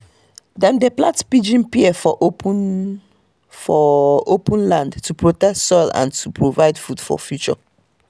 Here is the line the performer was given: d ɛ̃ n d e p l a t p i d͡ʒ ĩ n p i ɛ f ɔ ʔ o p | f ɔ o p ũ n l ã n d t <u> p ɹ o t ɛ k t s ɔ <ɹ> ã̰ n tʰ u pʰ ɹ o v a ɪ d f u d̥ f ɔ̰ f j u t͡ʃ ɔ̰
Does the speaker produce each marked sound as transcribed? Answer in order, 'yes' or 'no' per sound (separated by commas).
yes, no